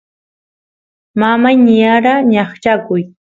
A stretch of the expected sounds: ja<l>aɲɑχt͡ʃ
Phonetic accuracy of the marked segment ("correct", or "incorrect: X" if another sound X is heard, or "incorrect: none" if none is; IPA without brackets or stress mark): incorrect: ɾ